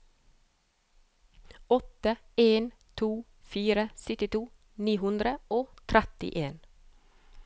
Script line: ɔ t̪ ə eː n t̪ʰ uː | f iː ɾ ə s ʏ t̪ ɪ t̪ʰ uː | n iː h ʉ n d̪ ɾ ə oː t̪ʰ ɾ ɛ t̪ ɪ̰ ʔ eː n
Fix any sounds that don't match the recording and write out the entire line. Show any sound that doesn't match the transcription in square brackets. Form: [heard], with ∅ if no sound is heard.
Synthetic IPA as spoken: ɔ t̪ ə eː n t̪ʰ uː | f iː ɾ ə s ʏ t̪ ɪ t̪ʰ uː | n iː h ʉ n d̪ ɾ ə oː t̪ʰ ɾ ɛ t̪ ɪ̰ ʔ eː n